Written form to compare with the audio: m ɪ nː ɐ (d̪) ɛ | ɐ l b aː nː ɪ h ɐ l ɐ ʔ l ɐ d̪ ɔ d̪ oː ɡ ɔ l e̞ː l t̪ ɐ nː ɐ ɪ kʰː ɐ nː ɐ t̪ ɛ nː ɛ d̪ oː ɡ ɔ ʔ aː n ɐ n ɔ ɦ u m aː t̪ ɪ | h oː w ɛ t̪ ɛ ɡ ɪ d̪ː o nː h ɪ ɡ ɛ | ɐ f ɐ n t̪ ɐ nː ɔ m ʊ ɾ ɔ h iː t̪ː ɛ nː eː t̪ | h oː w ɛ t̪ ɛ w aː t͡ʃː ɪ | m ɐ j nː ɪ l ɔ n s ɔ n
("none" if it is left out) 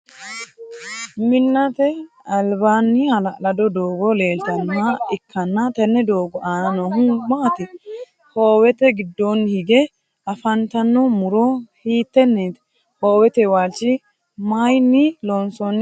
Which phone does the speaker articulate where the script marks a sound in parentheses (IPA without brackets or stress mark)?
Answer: t̪